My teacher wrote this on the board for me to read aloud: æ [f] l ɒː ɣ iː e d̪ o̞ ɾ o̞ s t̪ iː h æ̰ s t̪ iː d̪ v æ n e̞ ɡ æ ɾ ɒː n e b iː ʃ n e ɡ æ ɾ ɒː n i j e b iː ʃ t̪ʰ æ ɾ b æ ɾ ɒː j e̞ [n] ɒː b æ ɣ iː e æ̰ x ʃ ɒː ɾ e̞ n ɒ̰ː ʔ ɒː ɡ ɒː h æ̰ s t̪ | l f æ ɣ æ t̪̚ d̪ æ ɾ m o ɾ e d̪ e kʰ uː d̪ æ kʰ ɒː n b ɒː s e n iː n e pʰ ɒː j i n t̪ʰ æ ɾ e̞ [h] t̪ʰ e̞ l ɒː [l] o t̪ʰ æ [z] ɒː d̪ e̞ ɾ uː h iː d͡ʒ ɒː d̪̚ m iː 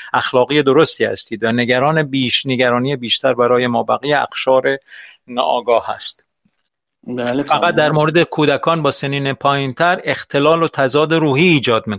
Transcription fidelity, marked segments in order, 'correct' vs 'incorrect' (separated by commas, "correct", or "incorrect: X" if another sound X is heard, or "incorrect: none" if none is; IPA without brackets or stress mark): incorrect: x, incorrect: m, incorrect: x, correct, correct